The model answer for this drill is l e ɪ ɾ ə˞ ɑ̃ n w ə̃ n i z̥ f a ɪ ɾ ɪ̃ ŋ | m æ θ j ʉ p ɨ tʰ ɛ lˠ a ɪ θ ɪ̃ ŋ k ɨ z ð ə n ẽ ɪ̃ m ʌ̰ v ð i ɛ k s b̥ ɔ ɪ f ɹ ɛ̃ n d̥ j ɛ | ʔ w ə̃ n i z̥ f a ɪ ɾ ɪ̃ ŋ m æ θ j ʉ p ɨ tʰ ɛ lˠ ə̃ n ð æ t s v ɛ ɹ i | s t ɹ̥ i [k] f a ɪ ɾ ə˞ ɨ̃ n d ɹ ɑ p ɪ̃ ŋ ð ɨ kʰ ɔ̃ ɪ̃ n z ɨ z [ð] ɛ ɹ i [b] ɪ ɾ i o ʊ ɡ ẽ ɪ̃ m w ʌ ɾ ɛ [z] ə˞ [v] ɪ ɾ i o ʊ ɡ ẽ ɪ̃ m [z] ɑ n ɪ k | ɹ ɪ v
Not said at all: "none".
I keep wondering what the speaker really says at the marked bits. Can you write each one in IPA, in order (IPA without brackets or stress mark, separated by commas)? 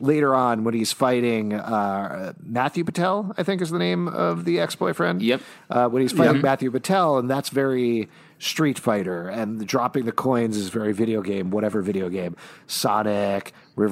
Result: t, v, v, v, v, s